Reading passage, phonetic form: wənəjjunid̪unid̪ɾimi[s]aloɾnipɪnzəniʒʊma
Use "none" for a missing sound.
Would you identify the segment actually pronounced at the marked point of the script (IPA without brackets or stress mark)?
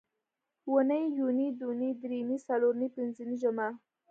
s